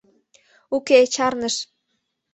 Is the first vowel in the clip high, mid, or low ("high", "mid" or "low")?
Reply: high